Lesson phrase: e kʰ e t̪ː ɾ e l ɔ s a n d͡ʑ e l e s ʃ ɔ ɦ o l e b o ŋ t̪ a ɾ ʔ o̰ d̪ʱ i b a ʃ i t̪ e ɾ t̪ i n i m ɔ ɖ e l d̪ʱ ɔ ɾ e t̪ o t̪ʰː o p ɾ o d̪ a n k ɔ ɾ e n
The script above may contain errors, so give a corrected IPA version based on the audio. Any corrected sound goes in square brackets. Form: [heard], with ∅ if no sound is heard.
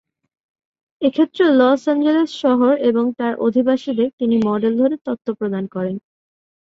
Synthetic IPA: e kʰ e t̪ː ɾ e l ɔ s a n d͡ʑ e l e s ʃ ɔ ɦ o [ɾ] e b o ŋ t̪ a ɾ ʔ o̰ d̪ʱ i b a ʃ i [d̪] e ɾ t̪ i n i m ɔ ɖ e l d̪ʱ [o] ɾ e t̪ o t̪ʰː o p ɾ o d̪ a n k ɔ ɾ e n